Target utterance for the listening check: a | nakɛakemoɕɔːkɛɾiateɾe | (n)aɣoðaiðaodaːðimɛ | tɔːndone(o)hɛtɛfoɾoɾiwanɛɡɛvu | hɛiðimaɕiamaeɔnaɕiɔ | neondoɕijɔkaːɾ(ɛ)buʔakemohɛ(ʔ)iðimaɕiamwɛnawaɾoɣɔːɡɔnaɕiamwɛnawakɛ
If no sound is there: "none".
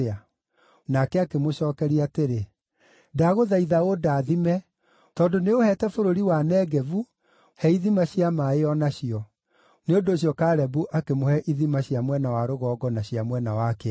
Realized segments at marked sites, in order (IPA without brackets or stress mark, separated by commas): d, o, ɛ, ʔ